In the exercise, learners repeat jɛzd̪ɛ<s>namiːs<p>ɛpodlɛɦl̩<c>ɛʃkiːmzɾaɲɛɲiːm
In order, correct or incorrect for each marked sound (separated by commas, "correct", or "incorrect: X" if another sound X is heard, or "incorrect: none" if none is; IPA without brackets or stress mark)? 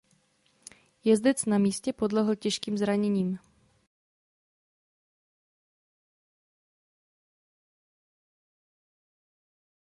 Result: incorrect: t͡s, incorrect: c, correct